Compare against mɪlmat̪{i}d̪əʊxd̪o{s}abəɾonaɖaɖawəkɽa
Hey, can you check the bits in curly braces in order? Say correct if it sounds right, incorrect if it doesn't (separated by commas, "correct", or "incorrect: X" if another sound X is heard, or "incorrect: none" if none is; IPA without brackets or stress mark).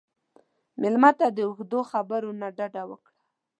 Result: incorrect: a, incorrect: x